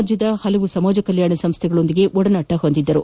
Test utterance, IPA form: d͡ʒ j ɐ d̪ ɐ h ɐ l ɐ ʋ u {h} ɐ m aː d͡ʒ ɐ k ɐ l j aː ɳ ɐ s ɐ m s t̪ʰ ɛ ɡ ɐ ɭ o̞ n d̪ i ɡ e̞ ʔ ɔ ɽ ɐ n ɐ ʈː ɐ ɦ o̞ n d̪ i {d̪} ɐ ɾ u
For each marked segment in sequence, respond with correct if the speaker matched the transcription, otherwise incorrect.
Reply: incorrect, incorrect

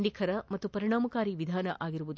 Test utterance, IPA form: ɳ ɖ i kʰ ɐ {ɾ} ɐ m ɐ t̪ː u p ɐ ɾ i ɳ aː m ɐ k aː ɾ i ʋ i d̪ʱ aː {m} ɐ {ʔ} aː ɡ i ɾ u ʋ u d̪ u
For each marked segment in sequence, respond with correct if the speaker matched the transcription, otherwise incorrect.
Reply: correct, incorrect, correct

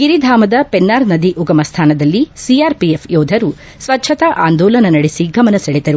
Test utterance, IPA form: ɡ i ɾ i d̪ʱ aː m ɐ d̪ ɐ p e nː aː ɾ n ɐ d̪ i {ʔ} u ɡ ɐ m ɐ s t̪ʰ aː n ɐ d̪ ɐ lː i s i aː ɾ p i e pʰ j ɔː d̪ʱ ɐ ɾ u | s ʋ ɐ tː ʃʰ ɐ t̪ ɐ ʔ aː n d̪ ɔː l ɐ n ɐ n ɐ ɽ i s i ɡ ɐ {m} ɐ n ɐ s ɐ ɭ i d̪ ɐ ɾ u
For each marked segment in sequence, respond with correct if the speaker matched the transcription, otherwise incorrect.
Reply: correct, correct

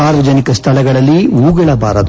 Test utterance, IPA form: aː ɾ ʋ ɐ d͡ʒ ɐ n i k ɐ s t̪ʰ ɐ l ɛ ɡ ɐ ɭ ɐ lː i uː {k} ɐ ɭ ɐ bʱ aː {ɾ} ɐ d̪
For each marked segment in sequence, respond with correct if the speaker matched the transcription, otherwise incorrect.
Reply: incorrect, correct

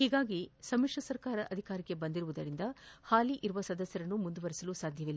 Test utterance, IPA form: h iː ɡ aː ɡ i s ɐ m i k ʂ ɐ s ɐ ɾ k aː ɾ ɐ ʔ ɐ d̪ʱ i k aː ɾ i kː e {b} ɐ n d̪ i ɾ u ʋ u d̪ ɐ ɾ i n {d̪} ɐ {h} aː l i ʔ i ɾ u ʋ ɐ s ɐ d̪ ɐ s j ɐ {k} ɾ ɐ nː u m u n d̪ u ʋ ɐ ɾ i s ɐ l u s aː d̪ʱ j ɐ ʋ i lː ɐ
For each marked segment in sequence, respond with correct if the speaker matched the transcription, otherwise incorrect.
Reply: correct, correct, correct, incorrect

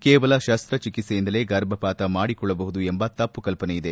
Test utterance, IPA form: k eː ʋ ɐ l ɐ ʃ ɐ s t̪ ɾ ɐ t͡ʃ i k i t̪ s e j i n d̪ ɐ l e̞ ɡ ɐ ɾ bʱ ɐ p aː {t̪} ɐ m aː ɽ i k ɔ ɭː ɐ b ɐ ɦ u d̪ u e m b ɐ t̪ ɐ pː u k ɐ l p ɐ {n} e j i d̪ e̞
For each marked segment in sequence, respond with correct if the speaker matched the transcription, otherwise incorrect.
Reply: correct, correct

